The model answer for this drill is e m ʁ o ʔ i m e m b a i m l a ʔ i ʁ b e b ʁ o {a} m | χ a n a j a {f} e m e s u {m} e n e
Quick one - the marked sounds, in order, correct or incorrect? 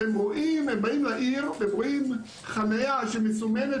incorrect: i, incorrect: ʃ, correct

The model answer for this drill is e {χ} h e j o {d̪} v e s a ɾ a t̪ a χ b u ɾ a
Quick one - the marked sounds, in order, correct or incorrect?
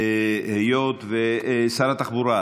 incorrect: none, incorrect: t̪

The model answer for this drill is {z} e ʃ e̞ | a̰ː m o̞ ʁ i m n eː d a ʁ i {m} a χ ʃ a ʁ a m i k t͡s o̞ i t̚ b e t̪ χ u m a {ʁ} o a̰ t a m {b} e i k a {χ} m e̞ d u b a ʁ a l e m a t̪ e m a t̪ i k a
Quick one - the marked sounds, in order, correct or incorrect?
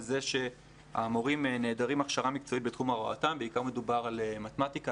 correct, correct, correct, correct, incorrect: ʁ

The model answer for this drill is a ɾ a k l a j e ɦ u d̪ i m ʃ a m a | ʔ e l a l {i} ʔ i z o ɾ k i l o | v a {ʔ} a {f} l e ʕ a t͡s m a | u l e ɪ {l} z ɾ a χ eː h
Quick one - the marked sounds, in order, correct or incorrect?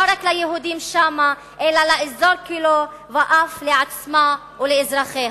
incorrect: a, correct, correct, incorrect: none

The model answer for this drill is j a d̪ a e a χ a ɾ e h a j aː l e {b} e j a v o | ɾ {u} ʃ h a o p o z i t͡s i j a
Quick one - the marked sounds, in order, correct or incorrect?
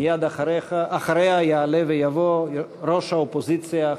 incorrect: v, incorrect: o

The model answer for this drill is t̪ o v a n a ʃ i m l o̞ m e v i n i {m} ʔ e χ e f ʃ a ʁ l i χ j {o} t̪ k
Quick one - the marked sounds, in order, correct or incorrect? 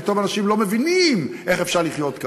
correct, correct

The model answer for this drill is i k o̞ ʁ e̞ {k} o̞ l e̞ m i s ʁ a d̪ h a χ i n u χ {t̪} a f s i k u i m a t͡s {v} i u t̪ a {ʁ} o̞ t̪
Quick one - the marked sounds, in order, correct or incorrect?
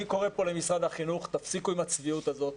incorrect: p, correct, correct, incorrect: z

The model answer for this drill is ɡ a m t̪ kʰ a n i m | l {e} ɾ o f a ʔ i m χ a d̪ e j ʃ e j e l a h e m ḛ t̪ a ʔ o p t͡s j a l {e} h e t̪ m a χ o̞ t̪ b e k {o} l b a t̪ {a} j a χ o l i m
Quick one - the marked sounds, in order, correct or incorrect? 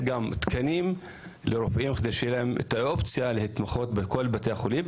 correct, correct, correct, incorrect: e

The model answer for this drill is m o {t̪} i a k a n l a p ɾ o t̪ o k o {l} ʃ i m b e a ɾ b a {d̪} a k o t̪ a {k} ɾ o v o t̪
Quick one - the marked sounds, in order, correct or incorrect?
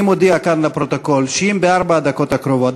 incorrect: d̪, correct, correct, correct

